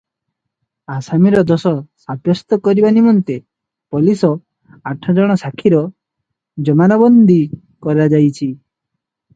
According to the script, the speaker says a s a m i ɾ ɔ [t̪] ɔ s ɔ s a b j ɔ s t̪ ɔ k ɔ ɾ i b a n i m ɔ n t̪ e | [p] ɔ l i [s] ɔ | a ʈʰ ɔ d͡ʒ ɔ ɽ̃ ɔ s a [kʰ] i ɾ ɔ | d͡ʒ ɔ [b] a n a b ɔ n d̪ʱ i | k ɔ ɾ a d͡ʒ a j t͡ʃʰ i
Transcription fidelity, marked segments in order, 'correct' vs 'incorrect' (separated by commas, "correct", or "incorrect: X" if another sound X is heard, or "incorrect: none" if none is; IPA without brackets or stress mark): incorrect: d̪, correct, correct, correct, incorrect: m